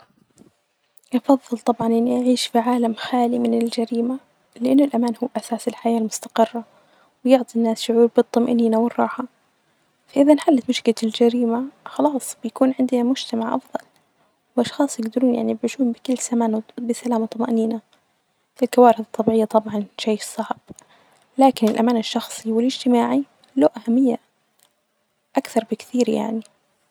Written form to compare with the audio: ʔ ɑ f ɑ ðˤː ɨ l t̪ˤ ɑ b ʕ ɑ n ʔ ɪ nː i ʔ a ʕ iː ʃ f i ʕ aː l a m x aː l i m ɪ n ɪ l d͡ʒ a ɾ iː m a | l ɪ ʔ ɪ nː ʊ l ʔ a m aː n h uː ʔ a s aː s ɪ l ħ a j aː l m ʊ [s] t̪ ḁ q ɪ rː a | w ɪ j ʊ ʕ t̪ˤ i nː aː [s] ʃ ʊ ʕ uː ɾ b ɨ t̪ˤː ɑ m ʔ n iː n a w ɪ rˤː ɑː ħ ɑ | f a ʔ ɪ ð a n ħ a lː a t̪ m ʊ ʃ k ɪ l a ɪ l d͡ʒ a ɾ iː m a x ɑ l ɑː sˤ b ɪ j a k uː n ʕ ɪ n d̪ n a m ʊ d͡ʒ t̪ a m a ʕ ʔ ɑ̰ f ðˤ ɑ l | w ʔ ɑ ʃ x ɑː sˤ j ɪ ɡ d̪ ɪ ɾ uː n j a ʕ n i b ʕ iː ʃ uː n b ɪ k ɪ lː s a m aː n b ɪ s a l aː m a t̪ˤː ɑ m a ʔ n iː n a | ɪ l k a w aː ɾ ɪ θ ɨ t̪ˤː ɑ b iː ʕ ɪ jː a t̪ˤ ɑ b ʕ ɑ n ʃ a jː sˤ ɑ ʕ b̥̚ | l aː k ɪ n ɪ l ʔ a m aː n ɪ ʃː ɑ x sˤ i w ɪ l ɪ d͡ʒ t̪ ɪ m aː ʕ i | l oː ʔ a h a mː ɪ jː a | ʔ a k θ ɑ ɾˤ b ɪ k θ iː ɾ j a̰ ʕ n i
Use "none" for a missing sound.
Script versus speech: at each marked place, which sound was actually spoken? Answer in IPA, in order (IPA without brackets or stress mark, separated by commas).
s, s